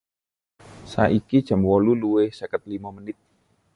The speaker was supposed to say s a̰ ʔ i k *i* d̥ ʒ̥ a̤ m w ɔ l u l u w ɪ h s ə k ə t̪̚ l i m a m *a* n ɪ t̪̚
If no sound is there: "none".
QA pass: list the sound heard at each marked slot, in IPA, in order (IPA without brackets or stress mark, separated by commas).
i, ə